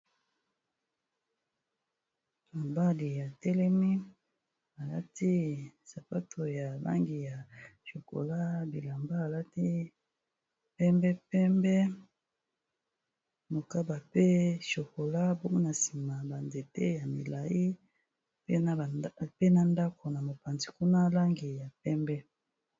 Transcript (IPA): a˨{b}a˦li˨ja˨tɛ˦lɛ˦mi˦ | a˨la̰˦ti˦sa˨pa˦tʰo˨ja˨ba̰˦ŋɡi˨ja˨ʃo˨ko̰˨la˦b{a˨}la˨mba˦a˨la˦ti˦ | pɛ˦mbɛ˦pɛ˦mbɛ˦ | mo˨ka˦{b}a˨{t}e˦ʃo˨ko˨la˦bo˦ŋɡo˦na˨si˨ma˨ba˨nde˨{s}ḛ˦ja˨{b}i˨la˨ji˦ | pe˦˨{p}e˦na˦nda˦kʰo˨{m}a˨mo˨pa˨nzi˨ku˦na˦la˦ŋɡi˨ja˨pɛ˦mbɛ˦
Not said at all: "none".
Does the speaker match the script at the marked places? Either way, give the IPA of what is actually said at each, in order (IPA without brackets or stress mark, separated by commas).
b, i˨, b, p, t, m, p, n